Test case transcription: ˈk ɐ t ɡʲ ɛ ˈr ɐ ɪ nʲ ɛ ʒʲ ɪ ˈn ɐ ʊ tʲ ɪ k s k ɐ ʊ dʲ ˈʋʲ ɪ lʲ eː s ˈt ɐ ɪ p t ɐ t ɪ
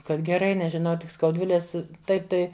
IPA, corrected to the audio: ˈk ɐ t ɡʲ ɛ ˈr ɐ ɪ nʲ ɛ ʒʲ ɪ ˈn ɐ ʊ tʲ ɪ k s k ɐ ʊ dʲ ˈʋʲ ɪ lʲ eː s ˈt ɐ ɪ p t ɐ ɪ